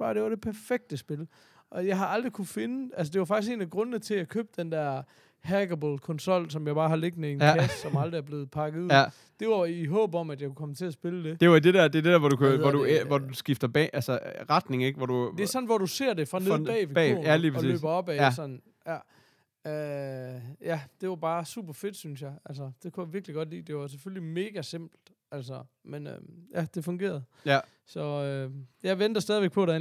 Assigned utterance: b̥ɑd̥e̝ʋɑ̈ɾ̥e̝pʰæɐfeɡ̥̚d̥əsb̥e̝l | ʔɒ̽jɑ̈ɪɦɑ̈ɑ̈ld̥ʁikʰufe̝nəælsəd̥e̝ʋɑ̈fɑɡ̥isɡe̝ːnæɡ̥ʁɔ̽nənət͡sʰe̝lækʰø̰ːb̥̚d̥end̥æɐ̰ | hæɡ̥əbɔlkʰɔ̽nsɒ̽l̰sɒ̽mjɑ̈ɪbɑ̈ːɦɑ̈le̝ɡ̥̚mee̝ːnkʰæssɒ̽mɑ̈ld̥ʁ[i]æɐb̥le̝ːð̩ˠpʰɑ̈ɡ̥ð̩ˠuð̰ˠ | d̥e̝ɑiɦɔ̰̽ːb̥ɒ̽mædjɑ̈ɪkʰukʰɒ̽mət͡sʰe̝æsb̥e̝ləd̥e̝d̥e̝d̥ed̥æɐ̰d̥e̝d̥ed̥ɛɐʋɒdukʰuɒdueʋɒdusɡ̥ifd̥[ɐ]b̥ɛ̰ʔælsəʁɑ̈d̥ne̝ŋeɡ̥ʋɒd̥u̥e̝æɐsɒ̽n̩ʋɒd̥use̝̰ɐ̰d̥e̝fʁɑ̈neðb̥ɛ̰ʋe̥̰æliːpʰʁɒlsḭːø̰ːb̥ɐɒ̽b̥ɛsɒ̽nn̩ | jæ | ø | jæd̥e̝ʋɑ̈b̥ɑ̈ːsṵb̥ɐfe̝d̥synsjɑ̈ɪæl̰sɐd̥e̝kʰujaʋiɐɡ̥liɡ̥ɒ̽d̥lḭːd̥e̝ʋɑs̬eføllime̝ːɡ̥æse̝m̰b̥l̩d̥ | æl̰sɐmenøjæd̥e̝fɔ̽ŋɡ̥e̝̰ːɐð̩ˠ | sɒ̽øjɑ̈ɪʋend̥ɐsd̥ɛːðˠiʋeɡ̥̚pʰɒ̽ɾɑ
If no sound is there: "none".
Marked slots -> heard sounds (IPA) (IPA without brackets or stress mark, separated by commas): i, ɐ